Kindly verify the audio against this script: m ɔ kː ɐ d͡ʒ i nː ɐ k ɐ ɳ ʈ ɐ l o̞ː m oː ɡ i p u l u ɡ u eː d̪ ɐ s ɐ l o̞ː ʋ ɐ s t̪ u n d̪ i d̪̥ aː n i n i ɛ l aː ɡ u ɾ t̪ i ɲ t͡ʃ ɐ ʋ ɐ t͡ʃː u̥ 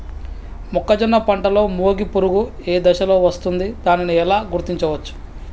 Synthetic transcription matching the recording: m ɔ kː ɐ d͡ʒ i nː ɐ p ɐ ɳ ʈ ɐ l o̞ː m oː ɡ i p u ɾ u ɡ u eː d̪ ɐ ʃ ɐ l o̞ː ʋ ɐ s t̪ u n d̪ i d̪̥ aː n i n i ɛ l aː ɡ u ɾ t̪ i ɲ t͡ʃ ɐ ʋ ɐ t͡ʃː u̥